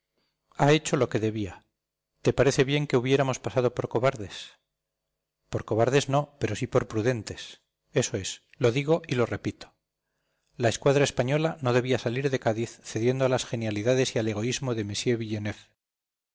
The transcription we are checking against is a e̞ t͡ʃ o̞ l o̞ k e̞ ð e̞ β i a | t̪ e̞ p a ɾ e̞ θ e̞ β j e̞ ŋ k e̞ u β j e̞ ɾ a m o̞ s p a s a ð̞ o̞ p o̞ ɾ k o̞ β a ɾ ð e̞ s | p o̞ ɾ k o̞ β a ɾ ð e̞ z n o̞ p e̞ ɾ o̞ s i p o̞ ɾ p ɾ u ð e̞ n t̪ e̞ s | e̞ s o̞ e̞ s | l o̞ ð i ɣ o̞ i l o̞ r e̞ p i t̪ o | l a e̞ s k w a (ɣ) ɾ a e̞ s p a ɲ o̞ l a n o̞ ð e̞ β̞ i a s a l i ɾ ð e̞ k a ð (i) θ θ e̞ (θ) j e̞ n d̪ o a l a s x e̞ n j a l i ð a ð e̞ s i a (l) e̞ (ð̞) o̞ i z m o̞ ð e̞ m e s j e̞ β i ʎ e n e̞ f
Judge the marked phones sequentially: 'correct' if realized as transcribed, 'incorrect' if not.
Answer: incorrect: ð, correct, incorrect: ð, correct, incorrect: ɣ̞

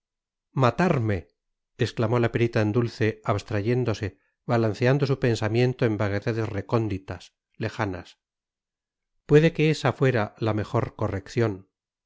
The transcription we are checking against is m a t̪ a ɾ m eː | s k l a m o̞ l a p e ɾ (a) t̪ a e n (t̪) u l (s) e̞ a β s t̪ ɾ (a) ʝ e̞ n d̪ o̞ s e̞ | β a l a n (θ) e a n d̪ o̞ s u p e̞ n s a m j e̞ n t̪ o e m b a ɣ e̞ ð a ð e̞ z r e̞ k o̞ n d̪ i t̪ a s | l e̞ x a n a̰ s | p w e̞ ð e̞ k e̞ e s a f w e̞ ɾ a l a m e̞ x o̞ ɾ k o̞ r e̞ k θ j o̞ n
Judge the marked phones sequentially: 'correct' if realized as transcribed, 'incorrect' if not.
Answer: incorrect: i, incorrect: d̪, incorrect: θ, correct, correct

